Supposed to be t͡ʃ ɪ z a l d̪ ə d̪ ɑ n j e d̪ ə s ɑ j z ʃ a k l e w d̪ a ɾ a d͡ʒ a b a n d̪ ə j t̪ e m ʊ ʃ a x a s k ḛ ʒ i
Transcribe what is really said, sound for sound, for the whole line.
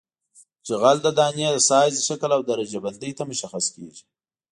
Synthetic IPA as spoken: t͡ʃ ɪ ɣ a l d̪ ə d̪ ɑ n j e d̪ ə s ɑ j z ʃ a k l a w d̪ a ɾ a d͡ʒ a b a n d̪ ə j t̪ a m ʊ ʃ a x a s k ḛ ʒ i